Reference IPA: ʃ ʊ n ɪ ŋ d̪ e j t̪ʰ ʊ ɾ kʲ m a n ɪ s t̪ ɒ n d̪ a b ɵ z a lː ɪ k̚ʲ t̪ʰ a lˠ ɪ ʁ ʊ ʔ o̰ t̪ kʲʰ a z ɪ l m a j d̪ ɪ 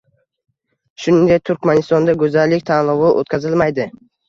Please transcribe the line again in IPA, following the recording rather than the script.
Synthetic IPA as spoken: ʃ ʊ n ɪ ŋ d̪ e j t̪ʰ ʊ ɾ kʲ m a n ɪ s t̪ ɒ n d̪ a ɡ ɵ z a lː ɪ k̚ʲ t̪ʰ a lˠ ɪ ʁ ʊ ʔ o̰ t̪ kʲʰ a z ɪ l m a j d̪ ɪ